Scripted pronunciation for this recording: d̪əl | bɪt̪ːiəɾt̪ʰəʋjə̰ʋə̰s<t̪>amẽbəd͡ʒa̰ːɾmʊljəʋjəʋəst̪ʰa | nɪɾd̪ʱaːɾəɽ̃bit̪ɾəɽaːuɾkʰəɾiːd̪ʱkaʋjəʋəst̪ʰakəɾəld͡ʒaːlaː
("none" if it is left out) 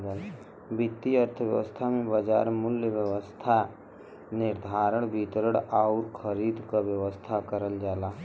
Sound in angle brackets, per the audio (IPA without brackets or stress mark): t̪ʰ